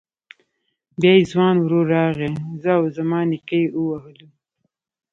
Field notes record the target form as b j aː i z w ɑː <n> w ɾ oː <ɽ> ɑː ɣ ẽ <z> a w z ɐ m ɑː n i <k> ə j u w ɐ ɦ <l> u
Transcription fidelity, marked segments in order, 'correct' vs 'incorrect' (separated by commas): correct, incorrect, correct, correct, correct